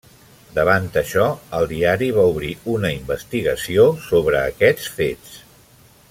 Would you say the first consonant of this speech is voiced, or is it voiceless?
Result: voiced